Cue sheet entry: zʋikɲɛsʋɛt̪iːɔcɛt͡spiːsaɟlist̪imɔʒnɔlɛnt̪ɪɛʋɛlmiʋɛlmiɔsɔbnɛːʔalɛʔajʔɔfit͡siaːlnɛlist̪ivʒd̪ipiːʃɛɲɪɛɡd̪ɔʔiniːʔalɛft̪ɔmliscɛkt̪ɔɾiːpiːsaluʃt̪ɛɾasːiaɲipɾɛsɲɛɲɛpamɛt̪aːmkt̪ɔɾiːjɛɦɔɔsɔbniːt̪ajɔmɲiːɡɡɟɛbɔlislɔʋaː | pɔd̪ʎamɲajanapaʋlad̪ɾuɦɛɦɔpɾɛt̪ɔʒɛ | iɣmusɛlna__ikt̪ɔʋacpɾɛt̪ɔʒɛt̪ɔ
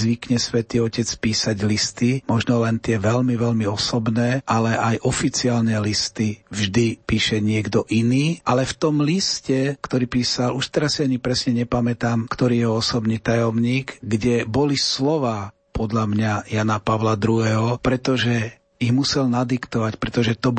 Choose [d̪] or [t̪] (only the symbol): d̪